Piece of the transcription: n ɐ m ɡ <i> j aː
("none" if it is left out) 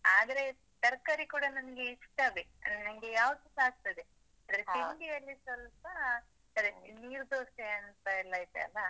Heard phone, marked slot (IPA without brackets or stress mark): e